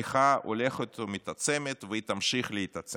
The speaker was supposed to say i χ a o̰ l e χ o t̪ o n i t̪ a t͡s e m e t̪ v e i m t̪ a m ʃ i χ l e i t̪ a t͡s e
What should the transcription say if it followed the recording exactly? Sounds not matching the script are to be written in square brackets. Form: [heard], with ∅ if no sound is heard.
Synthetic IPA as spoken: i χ a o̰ l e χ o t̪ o [m] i t̪ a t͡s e m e t̪ v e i [∅] t̪ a m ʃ i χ l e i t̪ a t͡s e